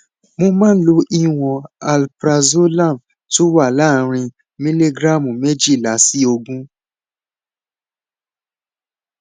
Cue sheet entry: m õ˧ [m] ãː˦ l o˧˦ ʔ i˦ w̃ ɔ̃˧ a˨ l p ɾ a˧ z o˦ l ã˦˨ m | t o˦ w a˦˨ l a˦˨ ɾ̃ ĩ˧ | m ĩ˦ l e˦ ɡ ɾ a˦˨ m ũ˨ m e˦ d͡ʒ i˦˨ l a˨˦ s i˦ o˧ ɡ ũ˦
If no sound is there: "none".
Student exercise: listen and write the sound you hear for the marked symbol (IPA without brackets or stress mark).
m